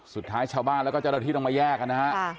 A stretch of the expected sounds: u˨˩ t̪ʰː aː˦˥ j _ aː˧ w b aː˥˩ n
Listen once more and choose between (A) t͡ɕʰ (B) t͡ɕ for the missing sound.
A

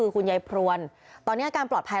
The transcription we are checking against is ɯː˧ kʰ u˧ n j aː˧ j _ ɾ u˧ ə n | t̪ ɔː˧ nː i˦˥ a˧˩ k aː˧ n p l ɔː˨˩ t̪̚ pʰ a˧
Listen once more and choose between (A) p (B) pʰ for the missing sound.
B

